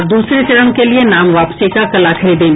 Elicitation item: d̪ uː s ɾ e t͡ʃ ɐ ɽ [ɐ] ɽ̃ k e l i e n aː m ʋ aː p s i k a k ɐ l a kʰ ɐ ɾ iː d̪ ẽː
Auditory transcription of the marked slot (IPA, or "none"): ə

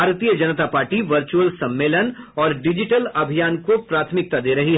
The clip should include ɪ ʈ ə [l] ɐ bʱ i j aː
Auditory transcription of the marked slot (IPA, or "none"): l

